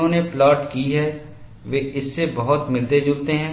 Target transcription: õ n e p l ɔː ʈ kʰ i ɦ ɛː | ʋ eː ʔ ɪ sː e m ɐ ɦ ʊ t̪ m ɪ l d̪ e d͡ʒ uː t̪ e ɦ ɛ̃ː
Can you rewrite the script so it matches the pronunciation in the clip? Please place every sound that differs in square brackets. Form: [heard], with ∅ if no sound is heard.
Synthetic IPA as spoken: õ n e p l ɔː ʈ [k] i ɦ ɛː | ʋ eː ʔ ɪ sː e [b] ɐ ɦ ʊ t̪ m ɪ l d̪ e d͡ʒ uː t̪ e ɦ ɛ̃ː